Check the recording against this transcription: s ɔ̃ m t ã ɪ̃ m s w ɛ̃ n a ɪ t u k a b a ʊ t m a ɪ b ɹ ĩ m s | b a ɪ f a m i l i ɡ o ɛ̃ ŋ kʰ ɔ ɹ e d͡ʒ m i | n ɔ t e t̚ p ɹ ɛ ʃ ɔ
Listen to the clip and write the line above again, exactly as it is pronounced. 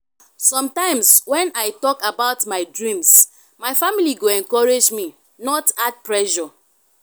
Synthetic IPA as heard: s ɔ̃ m t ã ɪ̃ m s w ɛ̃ n a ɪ t ɔ k a b a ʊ t m a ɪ d ɹ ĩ m s | m a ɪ f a m i l i ɡ o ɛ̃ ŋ k ɔ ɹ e d͡ʒ m i | n ɔ t a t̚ p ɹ ɛ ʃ ɔ